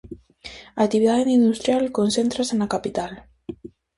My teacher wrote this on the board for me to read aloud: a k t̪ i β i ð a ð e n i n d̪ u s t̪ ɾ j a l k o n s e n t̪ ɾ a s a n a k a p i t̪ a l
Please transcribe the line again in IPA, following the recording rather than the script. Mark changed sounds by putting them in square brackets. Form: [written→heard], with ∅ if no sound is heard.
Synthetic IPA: a k t̪ i β i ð a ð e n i n d̪ u s t̪ ɾ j a l k o n s e n t̪ ɾ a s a n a k a p i t̪ a l